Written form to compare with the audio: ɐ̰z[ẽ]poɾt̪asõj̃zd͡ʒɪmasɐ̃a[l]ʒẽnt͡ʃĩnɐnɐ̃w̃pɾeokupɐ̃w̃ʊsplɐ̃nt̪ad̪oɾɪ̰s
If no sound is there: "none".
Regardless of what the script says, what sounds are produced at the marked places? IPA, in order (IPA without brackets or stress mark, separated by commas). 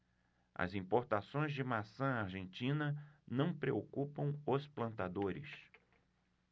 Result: ĩ, ɾ